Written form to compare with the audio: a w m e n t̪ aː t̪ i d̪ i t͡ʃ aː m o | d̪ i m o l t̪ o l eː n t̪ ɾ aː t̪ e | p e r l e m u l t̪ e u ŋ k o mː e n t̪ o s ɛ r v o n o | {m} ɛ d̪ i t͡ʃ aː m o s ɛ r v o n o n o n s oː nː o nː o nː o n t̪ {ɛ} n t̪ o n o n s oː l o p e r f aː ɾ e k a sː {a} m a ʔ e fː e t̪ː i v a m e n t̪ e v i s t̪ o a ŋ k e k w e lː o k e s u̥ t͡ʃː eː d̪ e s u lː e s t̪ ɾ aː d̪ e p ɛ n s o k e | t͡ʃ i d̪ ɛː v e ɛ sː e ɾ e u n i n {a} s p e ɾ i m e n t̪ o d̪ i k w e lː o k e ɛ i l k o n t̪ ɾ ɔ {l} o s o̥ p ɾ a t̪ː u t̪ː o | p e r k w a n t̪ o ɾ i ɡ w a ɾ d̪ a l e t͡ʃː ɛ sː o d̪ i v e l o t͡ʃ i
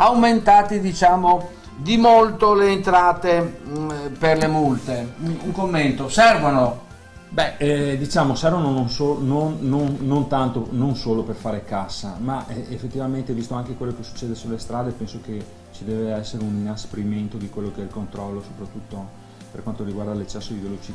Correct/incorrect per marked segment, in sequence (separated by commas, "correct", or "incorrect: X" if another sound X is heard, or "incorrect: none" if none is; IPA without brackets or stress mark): incorrect: b, incorrect: a, correct, correct, incorrect: lː